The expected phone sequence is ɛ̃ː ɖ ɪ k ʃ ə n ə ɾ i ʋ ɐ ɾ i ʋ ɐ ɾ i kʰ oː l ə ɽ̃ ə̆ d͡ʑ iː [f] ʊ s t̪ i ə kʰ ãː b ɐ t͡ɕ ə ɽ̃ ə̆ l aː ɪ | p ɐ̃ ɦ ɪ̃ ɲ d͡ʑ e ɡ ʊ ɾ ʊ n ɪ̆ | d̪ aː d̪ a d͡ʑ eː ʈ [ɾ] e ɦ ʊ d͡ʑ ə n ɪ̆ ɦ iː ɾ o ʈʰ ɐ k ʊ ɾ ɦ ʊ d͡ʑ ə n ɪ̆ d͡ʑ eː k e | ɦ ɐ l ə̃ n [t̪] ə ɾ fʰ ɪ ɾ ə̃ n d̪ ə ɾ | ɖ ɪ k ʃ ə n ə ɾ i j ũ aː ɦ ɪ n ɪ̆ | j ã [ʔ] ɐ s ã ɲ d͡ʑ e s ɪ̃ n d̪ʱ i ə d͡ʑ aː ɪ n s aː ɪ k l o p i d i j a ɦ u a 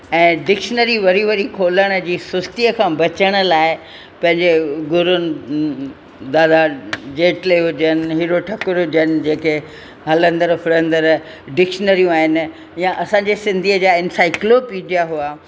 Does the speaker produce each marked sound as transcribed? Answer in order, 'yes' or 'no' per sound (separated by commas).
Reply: no, no, no, yes